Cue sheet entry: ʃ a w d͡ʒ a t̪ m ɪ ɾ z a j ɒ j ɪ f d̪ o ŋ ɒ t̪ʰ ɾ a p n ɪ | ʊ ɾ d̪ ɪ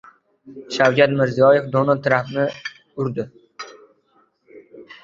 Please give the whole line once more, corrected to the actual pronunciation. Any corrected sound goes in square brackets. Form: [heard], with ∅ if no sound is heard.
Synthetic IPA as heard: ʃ a w d͡ʒ a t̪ m ɪ ɾ z [i] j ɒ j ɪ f d̪ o [n] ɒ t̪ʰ ɾ a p n ɪ | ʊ ɾ d̪ ɪ